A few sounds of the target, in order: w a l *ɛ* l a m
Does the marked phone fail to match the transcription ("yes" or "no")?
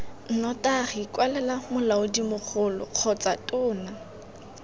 no